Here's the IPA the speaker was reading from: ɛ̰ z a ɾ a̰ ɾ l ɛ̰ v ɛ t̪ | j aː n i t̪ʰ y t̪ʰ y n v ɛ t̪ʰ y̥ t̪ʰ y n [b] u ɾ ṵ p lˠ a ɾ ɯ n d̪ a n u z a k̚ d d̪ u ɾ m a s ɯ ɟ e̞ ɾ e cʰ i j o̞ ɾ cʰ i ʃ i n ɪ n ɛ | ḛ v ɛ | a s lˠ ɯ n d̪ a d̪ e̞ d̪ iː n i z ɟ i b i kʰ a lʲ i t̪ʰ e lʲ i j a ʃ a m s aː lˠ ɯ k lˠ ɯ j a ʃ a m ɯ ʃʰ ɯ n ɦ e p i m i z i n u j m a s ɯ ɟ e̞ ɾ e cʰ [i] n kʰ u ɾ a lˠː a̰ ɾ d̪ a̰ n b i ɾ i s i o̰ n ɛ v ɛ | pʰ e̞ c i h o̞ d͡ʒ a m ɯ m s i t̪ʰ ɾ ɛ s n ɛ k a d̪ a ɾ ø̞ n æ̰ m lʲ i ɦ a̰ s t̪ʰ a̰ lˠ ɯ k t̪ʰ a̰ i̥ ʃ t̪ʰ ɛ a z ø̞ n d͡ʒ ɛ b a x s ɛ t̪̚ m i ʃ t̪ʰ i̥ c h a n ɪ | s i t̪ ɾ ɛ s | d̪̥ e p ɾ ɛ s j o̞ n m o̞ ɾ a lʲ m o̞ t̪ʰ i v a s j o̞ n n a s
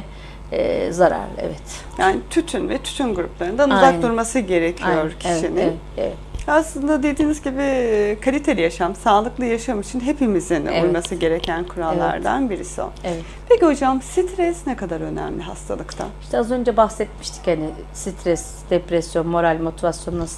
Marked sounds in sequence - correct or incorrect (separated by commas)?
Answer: incorrect, incorrect